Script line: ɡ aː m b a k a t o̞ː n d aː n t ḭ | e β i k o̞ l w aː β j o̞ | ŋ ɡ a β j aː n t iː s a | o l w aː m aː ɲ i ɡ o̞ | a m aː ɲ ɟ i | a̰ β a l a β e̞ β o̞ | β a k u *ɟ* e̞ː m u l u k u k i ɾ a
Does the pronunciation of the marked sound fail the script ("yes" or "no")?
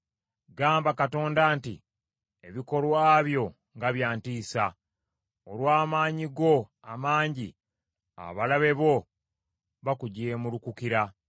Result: no